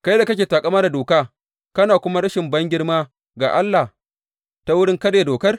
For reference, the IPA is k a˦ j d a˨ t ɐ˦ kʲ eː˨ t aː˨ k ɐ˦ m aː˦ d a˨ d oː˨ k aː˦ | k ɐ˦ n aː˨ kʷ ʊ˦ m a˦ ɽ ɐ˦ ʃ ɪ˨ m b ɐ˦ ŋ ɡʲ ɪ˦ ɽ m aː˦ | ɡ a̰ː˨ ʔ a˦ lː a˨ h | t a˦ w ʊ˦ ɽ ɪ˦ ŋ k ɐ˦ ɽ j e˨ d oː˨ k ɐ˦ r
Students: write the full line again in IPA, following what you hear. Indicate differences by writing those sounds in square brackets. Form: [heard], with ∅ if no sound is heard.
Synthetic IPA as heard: k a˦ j d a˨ [k] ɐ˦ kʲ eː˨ t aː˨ [kʼ] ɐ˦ m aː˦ d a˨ d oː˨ k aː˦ | k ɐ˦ n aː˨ kʷ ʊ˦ m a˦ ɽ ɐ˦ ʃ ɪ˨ m b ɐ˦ ŋ ɡʲ ɪ˦ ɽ m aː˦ | ɡ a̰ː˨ ʔ a˦ lː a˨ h | t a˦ w ʊ˦ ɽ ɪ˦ ŋ k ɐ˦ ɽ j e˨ d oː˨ k ɐ˦ r